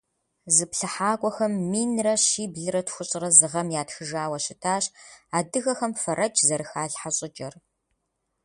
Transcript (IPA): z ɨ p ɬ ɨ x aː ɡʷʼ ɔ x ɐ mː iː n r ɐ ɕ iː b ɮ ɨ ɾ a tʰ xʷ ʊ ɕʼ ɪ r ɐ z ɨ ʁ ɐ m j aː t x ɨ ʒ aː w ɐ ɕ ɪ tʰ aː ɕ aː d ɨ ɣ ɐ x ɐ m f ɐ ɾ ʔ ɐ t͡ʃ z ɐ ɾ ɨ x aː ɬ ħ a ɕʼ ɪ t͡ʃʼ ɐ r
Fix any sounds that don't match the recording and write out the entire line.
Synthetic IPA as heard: z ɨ p ɬ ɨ ħ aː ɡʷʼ ɔ x ɐ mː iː n r ɐ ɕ iː b ɮ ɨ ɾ ɐ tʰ xʷ ʊ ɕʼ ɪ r ɐ z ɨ ʁ ɐ m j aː t x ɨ ʒ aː w ɐ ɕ ɪ tʰ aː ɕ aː d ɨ ɣ ɐ x ɐ m f ɐ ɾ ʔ ɐ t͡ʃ z ɐ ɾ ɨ x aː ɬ ħ a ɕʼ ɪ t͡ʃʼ ɐ r